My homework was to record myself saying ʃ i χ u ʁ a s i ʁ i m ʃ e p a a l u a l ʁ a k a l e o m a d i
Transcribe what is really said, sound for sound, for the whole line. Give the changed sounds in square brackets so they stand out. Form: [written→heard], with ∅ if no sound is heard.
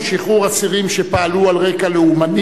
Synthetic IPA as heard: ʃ i χ u ʁ a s i ʁ i m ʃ e p a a l u a l ʁ [a→e] k a l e [o→u] m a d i